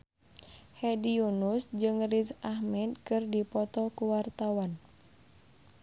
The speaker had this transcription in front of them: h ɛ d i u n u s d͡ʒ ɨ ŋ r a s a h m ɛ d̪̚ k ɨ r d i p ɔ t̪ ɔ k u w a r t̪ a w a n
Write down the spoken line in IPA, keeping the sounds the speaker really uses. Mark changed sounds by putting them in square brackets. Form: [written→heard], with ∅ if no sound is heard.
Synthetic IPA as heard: h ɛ d i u n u s d͡ʒ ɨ ŋ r [a→i] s a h m ɛ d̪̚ k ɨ r d i p ɔ t̪ ɔ k u w a r t̪ a w a n